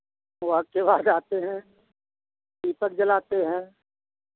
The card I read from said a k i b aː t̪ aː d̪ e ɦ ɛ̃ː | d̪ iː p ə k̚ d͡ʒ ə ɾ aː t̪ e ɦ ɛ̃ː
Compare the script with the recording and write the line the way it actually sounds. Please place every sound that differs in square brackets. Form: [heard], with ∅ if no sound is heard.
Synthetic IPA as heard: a k [e] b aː [d̪] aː [t̪] e ɦ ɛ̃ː | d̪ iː p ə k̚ d͡ʒ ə [l] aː t̪ e ɦ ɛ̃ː